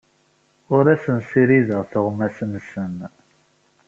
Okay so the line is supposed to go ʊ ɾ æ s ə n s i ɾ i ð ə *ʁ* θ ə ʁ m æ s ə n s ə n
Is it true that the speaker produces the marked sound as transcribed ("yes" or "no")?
yes